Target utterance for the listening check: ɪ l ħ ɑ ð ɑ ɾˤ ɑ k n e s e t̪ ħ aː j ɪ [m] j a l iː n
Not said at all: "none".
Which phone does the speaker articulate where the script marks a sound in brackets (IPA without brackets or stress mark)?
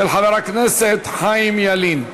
m